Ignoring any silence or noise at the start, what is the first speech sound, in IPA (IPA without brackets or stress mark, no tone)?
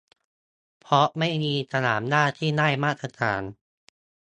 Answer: pʰ